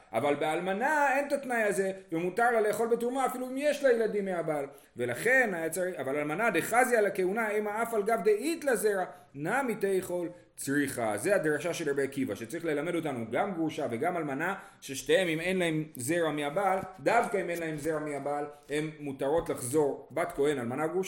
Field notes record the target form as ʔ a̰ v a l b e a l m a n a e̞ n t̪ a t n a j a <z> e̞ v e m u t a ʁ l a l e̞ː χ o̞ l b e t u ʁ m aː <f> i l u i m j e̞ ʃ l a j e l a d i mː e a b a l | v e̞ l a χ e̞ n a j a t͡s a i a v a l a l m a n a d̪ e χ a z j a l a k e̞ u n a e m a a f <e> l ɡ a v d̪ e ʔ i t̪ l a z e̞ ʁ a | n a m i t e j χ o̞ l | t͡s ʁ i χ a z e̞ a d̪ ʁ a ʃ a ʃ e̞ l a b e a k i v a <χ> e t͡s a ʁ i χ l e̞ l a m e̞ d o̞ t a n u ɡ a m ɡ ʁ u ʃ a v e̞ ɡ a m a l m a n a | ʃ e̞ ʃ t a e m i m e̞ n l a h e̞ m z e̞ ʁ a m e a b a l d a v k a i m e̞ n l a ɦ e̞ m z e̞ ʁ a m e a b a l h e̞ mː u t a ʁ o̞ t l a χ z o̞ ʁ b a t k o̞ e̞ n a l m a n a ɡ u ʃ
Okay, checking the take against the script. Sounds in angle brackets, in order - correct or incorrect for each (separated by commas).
correct, correct, incorrect, incorrect